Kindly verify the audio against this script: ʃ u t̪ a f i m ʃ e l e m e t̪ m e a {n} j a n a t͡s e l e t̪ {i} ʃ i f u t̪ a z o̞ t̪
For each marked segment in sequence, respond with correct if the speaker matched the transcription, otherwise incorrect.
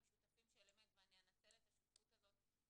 correct, incorrect: a

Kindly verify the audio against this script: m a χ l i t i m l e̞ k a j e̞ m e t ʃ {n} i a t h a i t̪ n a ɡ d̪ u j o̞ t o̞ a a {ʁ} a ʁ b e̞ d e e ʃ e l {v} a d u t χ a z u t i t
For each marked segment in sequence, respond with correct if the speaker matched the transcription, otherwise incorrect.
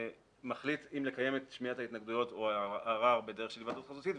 incorrect: m, correct, correct

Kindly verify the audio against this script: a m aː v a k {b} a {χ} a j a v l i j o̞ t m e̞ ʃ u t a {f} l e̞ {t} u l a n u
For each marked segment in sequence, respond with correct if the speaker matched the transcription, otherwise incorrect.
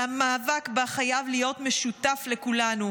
correct, correct, correct, incorrect: k

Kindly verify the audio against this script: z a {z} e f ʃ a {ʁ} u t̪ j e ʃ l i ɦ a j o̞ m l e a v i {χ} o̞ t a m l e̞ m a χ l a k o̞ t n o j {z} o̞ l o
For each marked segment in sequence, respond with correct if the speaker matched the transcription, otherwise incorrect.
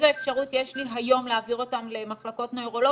incorrect: none, correct, incorrect: ʁ, incorrect: ʁ

